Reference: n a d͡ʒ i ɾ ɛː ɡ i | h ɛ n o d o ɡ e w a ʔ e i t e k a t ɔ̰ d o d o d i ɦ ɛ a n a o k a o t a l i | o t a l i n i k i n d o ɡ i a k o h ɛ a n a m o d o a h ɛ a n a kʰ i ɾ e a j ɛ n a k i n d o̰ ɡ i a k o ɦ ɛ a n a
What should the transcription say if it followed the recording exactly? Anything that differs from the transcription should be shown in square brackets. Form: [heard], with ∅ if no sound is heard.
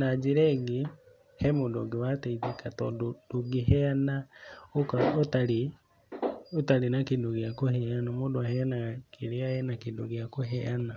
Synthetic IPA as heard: n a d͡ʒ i ɾ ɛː ɡ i | h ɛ [m] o d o ɡ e w a [t] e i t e k a t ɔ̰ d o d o [ɡ] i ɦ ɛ a n a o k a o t a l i | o t a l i n [a] k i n d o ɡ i a k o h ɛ a n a m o d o a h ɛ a n a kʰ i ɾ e a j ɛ n a k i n d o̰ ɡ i a k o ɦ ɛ a n a